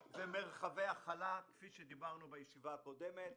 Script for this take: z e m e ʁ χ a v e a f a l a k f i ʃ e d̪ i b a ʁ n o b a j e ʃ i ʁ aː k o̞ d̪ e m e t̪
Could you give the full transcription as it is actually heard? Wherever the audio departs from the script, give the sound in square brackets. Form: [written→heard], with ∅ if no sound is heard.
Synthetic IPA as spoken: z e m e ʁ χ a v e a [f→χ] a l a k f i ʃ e d̪ i b a ʁ n [o→u] b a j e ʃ i [ʁ→v] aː k o̞ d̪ e m e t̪